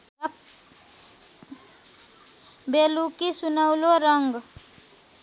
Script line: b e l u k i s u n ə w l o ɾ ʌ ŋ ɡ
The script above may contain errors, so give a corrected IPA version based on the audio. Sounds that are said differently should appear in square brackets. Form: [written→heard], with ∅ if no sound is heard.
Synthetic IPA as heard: b e l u k i s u n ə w l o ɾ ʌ ŋ ɡ